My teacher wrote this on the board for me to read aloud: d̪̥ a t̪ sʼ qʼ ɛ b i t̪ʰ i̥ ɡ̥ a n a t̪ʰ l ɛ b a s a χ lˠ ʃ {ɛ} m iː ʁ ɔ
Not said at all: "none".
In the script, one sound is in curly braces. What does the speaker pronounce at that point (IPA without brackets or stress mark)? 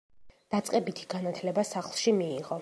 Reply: i